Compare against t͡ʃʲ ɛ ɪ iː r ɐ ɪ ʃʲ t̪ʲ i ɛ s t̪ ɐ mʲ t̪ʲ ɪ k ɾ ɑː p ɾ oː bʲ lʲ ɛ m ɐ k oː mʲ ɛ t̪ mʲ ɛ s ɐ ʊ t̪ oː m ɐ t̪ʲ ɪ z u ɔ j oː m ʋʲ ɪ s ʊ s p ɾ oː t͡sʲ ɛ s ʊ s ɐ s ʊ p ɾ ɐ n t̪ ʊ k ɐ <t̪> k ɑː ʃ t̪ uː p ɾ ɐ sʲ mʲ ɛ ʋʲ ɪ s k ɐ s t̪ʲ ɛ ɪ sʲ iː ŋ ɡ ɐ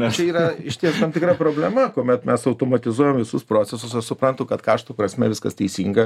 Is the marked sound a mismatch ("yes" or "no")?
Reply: no